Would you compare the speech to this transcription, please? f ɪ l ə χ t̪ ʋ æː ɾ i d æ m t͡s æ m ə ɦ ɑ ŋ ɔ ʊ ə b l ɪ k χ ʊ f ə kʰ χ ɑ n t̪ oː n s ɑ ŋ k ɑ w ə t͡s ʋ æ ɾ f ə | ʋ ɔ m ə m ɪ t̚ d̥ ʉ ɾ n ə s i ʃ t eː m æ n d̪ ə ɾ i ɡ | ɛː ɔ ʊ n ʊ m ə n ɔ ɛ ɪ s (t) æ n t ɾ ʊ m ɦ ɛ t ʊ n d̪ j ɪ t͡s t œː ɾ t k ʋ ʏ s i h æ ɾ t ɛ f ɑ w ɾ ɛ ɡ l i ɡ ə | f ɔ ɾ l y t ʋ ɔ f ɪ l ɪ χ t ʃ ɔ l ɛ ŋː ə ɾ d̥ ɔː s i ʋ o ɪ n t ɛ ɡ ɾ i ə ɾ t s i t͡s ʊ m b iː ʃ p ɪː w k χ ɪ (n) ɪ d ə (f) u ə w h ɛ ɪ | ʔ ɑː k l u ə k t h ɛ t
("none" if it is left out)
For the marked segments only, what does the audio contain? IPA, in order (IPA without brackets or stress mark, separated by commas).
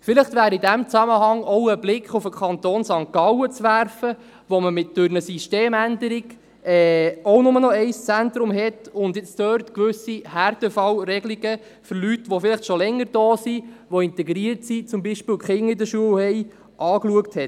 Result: t͡s, ŋ, ʃ